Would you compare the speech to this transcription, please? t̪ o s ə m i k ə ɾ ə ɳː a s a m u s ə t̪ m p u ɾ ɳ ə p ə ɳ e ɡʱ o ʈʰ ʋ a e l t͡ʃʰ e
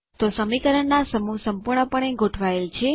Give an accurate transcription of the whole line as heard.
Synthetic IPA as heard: t̪ o s ə m i k ə ɾ ə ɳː a s ə m u s ə m p u ɾ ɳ ə p ə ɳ e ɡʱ o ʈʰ ʋ a e l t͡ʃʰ e